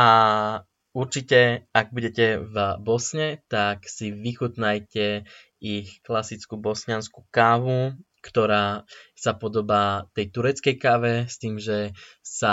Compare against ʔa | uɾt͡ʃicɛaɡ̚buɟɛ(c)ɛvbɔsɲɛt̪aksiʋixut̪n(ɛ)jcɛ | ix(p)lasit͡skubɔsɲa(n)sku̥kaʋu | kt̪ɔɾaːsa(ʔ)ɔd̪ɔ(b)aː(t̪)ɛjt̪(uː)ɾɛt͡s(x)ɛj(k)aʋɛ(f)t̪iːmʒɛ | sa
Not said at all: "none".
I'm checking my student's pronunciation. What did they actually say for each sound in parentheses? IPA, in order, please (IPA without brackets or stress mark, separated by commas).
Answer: c, a, k, n, p, b, t̪, u, k, k, s